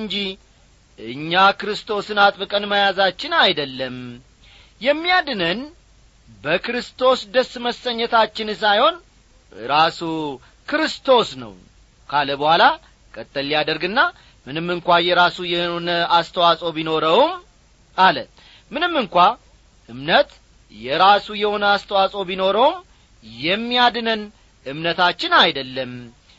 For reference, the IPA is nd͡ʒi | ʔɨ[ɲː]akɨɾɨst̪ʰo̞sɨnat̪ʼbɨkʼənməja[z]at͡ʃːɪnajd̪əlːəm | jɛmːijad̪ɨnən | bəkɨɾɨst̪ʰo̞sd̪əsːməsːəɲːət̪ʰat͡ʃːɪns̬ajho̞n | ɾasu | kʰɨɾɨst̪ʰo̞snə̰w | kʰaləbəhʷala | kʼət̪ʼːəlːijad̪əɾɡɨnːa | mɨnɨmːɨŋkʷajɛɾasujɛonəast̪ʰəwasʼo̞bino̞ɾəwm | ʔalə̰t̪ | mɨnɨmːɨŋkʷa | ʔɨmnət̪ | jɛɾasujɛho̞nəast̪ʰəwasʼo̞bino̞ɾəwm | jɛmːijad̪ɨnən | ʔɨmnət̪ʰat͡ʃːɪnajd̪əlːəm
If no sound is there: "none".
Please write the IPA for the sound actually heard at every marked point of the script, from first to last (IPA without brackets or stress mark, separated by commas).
ɲː, z